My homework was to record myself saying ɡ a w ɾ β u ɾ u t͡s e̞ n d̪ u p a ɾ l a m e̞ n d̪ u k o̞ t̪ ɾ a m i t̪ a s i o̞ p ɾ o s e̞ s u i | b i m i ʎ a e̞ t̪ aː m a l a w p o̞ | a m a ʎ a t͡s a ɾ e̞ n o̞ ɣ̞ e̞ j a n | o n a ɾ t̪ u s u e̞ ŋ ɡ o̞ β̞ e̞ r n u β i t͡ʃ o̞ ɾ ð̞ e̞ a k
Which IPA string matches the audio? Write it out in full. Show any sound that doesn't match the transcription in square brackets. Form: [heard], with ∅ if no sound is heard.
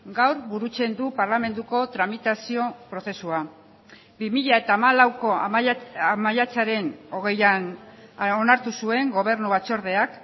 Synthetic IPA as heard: ɡ a w ɾ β u ɾ u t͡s e̞ n d̪ u p a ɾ l a m e̞ n d̪ u k o̞ t̪ ɾ a m i t̪ a s i o̞ p ɾ o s e̞ s u [a] | b i m i ʎ a e̞ t̪ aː m a l a w [k] o̞ | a m a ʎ a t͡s a ɾ e̞ n o̞ ɣ̞ e̞ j a n | o n a ɾ t̪ u s u e̞ ŋ ɡ o̞ β̞ e̞ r n u β [a] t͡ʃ o̞ ɾ ð̞ e̞ a k